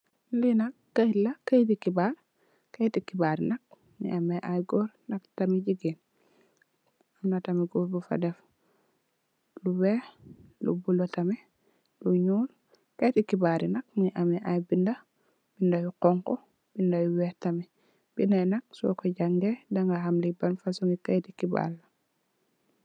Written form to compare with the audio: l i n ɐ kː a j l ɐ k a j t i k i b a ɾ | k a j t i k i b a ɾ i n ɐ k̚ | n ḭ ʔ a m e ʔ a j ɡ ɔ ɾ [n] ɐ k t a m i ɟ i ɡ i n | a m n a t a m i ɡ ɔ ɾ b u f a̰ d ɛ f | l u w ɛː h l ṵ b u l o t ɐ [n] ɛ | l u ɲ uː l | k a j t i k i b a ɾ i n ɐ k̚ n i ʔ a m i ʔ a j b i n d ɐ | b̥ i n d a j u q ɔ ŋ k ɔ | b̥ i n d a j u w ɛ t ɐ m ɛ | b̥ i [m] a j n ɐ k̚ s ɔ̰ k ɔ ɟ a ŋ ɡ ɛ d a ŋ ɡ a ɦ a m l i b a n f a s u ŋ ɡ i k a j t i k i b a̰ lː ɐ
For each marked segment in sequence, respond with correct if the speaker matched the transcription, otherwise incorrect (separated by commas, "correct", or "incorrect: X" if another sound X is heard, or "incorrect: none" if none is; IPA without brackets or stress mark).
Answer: correct, incorrect: m, incorrect: n